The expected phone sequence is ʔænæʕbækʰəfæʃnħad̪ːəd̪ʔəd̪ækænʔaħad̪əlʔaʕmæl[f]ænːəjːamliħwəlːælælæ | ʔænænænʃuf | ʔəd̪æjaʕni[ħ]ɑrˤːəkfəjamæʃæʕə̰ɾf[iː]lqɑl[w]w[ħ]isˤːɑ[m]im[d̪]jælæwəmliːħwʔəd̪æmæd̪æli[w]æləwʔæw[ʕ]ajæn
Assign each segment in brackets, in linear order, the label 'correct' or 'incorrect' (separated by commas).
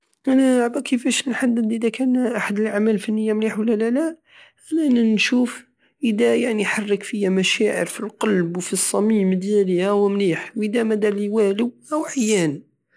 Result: correct, correct, incorrect, incorrect, incorrect, correct, correct, correct, correct